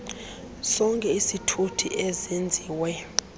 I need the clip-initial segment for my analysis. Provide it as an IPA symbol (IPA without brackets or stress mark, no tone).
s